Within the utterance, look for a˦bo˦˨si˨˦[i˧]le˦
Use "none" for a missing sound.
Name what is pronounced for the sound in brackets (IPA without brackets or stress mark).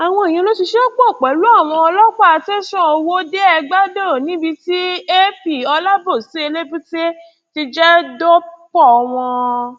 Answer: e˧